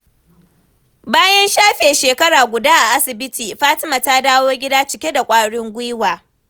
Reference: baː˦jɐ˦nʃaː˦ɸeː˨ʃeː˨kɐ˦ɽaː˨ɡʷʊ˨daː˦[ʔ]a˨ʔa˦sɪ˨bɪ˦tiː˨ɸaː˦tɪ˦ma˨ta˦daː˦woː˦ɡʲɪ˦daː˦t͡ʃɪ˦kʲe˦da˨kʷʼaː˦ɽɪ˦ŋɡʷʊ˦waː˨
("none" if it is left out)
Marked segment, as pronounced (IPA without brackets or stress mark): ʔ